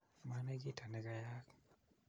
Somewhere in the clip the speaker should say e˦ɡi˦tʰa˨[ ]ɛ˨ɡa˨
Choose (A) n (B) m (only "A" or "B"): A